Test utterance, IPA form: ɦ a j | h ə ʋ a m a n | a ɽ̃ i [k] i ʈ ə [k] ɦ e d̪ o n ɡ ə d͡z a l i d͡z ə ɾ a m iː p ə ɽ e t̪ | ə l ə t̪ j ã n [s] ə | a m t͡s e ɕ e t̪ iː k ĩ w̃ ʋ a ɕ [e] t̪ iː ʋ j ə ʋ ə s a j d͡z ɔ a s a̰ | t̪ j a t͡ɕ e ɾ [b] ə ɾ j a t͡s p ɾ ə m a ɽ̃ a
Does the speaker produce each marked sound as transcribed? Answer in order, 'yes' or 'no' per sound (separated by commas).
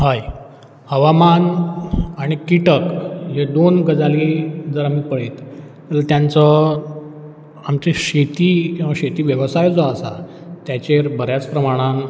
yes, yes, no, yes, yes